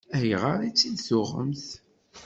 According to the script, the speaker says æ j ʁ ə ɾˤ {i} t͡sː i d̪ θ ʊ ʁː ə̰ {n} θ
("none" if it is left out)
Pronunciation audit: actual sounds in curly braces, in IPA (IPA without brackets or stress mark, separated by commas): i, m